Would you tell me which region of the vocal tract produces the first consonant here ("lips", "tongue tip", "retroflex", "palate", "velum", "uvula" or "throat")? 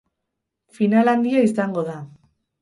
lips